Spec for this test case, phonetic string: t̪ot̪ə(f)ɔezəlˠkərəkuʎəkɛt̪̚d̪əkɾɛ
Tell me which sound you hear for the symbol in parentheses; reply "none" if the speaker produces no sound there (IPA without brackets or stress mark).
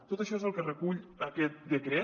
ʃ